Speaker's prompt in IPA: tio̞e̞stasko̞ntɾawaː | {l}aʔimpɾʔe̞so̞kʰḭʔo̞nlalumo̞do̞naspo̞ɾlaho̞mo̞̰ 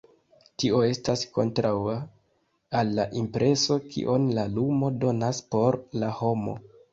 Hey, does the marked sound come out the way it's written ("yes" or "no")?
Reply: no